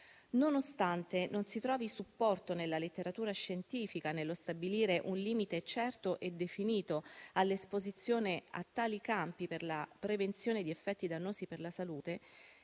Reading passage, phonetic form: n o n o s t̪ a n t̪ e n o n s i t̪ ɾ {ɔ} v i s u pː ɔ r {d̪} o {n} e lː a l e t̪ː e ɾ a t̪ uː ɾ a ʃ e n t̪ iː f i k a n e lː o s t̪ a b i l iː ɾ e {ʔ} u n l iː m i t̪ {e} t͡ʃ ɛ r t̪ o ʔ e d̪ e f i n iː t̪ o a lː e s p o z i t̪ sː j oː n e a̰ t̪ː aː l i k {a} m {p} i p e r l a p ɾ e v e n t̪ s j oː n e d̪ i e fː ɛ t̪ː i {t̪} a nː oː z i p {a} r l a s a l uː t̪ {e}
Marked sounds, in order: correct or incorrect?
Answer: incorrect, incorrect, correct, correct, correct, correct, correct, incorrect, incorrect, correct

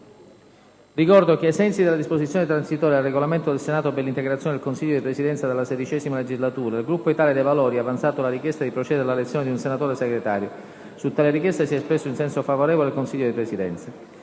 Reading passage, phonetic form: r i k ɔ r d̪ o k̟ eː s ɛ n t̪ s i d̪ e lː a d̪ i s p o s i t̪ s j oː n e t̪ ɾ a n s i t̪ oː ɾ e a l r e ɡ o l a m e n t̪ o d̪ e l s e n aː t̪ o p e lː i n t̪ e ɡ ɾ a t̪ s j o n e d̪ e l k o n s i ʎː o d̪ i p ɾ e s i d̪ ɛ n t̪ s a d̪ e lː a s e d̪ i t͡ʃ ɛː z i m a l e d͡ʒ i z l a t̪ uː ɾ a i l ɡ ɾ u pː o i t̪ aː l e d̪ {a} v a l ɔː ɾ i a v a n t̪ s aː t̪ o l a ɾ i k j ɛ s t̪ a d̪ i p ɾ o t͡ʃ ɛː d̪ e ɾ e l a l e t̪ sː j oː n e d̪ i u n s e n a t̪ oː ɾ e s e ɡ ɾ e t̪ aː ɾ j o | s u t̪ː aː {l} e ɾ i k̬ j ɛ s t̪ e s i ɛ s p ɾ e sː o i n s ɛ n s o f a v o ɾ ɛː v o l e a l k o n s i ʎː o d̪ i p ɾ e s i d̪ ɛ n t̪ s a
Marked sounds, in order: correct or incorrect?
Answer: incorrect, correct

